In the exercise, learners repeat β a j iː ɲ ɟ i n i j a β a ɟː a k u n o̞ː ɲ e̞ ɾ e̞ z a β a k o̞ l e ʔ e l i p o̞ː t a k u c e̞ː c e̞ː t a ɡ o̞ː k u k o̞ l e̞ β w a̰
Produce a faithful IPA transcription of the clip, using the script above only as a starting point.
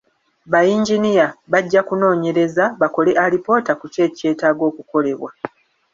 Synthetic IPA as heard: β a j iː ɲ ɟ i n i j a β a ɟː a k u n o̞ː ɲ e̞ ɾ e̞ z a β a k o̞ l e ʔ a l i p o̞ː t a k u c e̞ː c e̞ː t a ɡ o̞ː k u k o̞ l e̞ β w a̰